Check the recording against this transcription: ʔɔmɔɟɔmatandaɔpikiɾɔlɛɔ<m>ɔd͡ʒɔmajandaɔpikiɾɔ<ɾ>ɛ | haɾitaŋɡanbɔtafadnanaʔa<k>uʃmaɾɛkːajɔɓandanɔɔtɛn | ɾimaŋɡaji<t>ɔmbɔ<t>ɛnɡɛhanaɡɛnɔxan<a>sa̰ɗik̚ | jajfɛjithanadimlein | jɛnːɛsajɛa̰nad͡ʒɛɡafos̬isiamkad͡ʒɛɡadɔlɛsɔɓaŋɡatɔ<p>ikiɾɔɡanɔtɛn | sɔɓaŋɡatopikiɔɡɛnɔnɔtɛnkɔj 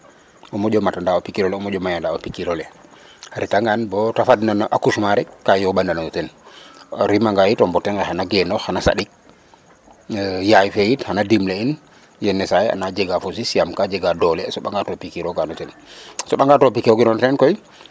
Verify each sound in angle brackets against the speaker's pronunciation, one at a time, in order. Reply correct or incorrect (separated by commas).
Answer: correct, incorrect, correct, correct, correct, correct, correct